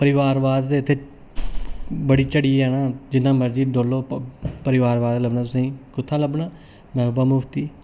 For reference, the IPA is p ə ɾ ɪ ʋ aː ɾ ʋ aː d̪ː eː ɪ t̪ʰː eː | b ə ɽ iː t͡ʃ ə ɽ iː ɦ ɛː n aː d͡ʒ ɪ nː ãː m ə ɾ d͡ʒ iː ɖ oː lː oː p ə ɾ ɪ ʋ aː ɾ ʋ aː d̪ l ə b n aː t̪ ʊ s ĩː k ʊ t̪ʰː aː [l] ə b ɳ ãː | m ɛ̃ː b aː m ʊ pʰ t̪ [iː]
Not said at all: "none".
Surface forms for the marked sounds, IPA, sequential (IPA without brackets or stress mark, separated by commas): l, iː